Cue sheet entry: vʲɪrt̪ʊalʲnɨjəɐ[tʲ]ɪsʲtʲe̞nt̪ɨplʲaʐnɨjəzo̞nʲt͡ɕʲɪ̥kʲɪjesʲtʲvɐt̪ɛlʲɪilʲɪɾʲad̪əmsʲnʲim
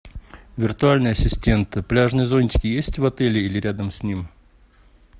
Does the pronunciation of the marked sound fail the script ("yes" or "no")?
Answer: yes